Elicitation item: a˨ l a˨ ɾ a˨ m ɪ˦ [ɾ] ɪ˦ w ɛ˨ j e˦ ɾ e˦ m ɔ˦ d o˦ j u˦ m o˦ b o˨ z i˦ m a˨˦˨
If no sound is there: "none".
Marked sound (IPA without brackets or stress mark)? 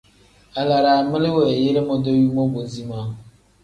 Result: l